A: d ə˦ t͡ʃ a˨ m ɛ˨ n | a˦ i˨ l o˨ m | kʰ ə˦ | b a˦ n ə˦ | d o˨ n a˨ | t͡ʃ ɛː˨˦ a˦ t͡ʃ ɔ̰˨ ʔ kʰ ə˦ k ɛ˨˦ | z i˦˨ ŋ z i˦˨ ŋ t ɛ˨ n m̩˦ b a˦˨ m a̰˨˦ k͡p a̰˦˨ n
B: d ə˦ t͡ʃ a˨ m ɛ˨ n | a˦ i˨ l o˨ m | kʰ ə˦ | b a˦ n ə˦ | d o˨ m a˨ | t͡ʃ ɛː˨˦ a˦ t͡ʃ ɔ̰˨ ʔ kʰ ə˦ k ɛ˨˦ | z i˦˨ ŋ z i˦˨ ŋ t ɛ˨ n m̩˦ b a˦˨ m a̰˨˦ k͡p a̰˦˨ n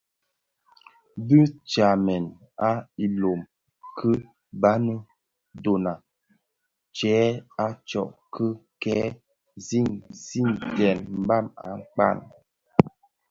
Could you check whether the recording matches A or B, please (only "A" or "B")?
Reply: A